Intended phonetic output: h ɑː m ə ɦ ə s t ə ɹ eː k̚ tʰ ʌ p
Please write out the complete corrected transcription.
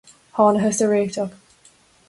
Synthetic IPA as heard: h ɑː n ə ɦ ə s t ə ɹ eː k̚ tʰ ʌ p

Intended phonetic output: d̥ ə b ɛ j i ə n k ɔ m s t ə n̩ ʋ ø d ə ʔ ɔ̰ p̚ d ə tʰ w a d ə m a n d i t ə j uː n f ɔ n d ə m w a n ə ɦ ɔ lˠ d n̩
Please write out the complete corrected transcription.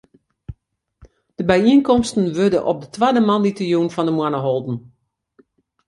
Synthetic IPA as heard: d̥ ə b ɛ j i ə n k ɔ m s t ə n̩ ʋ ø d ə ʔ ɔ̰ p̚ d ə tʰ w a d ə m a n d i t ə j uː n f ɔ n d ə m w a n ə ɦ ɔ lˠ d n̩

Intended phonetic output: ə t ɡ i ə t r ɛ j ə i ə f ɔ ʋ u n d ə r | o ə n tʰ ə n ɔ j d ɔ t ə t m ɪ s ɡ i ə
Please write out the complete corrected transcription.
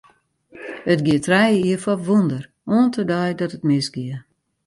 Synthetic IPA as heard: ə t ɡ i ə t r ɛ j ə i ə f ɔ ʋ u n d ə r | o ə n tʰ ə d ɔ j d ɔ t ə t m ɪ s ɡ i ə

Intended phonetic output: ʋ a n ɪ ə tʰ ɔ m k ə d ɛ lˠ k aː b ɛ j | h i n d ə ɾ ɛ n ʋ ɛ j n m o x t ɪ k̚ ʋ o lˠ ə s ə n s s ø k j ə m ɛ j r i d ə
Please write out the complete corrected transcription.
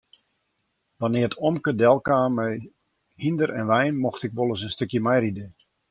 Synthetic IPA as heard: ʋ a n ɪ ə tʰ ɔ m k ə d ɛ lˠ k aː m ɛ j | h i n d ə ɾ ɛ n ʋ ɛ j n m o x t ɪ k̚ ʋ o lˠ ə s ə n s t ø k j ə m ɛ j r i d ə

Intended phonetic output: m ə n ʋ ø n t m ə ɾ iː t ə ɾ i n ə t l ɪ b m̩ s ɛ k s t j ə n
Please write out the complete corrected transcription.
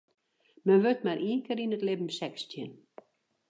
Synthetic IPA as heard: m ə n ʋ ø t m a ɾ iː k ə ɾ i n ə t l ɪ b m̩ s ɛ k s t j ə n

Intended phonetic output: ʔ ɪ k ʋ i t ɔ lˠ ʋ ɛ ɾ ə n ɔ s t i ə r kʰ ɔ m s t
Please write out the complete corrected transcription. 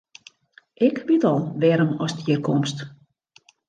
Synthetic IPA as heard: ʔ ɪ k ʋ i t ɔ lˠ ʋ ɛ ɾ ə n ɔ s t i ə r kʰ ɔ m s t

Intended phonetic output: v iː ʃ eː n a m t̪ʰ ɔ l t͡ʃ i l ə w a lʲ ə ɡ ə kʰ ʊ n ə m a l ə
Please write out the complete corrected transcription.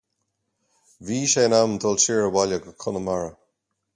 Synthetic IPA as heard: v iː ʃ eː n a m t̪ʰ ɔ l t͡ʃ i ɹ ə w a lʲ ə ɡ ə kʰ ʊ n ə m a ɹ ə

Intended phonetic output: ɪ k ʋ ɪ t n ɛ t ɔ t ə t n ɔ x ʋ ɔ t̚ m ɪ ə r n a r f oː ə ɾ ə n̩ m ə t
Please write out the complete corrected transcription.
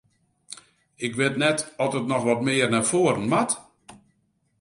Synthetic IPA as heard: ɪ k ʋ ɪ t n ɛ t ɔ t ə t n ɔ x ʋ ɔ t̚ m ɪ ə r n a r f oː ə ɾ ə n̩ m a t

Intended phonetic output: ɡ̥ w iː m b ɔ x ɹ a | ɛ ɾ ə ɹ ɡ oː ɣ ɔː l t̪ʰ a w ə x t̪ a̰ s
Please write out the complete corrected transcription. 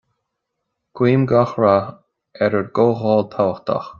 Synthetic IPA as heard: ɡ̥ w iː m ɡ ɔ x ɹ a | ɛ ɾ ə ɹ ɡ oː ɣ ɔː l t̪ʰ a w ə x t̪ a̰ x

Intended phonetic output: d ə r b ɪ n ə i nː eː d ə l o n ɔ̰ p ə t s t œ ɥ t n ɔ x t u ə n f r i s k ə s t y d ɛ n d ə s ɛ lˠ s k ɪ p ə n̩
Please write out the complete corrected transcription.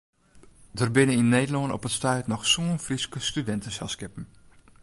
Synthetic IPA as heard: d ə r b ɪ n ə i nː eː d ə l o n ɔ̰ p ə t s t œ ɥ t n ɔ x s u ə n f r i s k ə s t y d ɛ n t ə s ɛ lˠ s k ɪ p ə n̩

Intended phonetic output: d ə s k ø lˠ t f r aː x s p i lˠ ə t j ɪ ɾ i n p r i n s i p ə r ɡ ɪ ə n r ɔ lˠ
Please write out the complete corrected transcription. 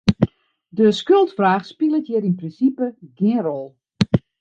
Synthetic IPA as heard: d ə s k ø lˠ t f r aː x s p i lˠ ə t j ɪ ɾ i n p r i n s i p ə ɡ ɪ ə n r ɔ lˠ

